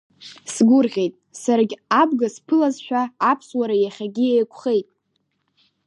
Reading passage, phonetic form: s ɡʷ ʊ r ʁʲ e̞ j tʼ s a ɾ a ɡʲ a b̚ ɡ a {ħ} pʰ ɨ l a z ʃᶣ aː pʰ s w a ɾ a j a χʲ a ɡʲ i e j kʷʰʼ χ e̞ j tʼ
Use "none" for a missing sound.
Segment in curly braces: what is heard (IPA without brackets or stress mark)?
s